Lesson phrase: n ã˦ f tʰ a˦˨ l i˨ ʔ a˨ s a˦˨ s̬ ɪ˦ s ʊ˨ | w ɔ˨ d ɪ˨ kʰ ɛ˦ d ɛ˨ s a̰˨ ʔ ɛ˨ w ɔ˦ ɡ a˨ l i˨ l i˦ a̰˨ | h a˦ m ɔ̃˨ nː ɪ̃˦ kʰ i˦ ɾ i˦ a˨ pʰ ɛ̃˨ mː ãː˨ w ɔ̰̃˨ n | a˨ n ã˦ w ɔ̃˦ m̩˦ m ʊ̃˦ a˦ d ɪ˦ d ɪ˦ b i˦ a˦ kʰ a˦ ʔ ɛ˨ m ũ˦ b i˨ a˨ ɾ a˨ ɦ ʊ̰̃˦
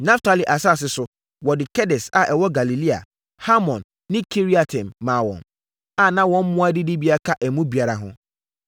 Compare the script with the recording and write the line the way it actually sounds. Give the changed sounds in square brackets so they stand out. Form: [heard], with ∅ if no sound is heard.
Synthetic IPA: n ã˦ f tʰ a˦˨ l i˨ ʔ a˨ s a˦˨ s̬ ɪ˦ s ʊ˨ | w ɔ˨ d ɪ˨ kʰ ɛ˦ d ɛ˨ s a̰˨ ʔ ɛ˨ w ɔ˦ ɡ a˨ l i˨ l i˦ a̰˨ | h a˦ m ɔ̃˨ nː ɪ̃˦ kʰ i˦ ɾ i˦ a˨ [tʰ] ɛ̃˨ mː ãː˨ w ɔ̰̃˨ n | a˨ n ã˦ w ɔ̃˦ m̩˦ m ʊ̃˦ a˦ d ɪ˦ d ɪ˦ b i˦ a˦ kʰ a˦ ʔ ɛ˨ m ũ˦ b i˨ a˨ ɾ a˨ ɦ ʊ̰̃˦